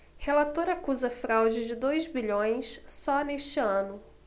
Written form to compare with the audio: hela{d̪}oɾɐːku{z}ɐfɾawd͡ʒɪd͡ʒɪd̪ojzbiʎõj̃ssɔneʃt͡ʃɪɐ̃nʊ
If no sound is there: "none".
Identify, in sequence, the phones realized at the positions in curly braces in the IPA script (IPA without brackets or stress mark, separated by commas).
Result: t̪, z